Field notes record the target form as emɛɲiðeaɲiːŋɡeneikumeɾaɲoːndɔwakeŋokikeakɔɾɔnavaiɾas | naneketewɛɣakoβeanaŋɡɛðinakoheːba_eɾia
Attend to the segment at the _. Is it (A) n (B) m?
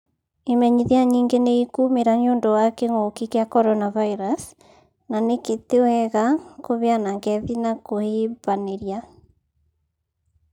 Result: A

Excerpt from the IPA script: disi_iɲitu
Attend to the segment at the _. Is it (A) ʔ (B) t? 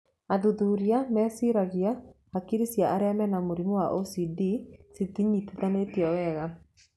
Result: B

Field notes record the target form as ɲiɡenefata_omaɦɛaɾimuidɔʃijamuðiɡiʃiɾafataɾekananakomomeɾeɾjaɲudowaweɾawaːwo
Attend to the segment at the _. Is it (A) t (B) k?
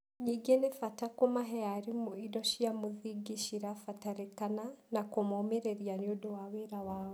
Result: B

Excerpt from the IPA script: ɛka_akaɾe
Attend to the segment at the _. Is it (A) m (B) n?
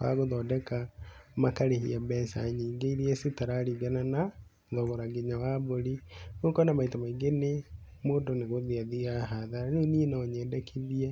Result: A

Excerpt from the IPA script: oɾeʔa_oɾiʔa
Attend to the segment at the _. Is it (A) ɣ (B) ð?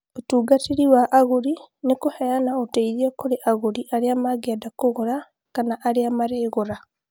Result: A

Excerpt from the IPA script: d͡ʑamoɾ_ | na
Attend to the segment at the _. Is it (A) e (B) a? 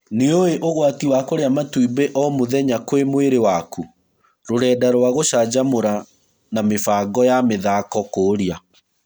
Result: B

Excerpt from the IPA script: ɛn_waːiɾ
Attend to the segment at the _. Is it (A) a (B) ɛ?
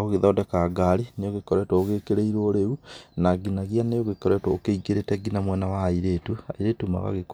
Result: A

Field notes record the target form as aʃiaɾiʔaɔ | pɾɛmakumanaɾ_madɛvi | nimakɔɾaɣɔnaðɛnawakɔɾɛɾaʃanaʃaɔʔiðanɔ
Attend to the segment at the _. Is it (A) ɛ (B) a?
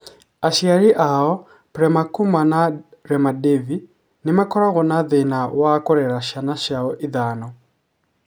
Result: A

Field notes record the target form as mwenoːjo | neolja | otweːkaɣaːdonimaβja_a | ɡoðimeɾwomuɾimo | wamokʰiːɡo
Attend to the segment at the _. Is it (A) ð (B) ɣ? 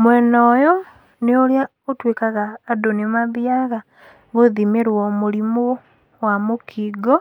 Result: B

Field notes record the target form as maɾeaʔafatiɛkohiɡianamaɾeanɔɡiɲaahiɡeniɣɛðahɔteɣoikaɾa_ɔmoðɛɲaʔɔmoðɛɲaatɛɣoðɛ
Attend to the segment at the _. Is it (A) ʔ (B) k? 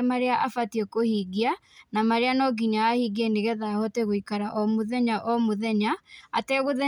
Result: A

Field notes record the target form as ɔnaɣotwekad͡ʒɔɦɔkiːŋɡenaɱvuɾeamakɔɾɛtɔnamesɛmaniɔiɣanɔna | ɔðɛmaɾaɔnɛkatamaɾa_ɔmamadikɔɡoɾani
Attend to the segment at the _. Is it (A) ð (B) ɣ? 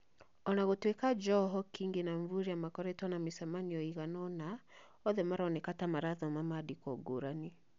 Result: A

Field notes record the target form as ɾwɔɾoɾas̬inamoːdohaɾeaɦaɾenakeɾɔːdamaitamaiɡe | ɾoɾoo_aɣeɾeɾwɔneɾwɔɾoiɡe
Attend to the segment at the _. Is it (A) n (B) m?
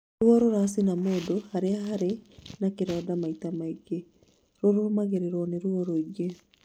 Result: B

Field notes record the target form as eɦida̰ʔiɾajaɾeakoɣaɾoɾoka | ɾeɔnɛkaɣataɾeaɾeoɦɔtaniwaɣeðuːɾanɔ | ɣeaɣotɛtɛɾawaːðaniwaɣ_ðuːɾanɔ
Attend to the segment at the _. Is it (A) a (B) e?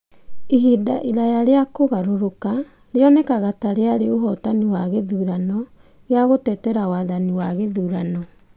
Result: B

